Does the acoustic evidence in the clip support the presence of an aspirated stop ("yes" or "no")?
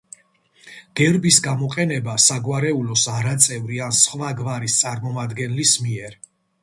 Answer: no